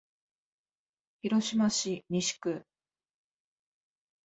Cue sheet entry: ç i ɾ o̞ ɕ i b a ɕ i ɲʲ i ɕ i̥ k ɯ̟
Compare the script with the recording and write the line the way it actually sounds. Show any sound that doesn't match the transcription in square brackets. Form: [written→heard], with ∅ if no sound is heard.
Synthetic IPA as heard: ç i ɾ o̞ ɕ i [b→m] a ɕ i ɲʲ i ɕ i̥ k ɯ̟